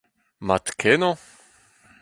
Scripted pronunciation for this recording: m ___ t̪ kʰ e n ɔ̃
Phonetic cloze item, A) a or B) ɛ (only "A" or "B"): A